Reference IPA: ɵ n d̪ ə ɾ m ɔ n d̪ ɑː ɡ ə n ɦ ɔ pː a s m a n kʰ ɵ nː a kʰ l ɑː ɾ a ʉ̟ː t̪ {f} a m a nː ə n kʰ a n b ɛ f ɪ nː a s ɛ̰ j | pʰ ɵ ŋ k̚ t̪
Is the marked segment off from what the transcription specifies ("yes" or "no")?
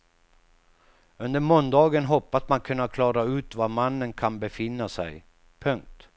yes